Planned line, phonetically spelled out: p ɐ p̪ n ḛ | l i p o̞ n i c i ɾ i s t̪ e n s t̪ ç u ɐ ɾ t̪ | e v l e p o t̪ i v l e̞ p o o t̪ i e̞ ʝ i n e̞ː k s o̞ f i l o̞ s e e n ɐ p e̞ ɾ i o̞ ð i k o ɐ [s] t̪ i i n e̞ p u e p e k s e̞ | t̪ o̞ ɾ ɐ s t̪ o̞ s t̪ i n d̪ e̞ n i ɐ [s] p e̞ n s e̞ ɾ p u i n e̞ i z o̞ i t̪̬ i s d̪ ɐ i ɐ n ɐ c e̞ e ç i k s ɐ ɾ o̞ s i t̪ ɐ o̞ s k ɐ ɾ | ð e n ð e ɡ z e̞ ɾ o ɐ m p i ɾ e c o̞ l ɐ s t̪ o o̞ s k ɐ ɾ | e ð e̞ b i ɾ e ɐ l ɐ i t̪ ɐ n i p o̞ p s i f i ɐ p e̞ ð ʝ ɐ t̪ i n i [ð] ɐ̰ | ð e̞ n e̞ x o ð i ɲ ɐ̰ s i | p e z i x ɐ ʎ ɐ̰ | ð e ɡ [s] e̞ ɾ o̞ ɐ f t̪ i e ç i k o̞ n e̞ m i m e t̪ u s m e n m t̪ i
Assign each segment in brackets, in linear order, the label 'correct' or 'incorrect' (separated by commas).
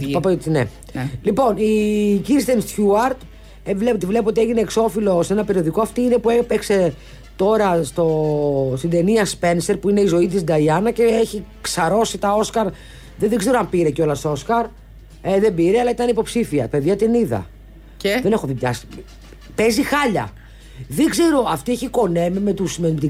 incorrect, correct, correct, incorrect